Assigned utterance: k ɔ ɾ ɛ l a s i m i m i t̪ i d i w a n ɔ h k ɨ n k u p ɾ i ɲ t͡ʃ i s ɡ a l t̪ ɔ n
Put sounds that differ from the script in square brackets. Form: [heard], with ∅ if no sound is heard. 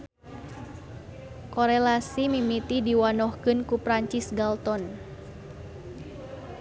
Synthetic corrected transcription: k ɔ ɾ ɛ l a s i m i m i t̪ i d i w a n ɔ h k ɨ n k u p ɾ [a] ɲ t͡ʃ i s ɡ a l t̪ ɔ n